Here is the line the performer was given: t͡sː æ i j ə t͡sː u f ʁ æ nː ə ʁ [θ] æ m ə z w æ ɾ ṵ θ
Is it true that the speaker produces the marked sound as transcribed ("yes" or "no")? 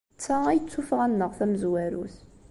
yes